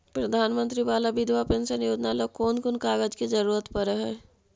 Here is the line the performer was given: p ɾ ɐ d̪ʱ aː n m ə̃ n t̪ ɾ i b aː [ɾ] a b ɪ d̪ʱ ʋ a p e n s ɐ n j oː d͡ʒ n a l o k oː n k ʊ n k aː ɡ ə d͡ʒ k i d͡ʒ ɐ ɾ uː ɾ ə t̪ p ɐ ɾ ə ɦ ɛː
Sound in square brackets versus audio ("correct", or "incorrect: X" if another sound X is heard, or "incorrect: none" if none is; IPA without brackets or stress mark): incorrect: l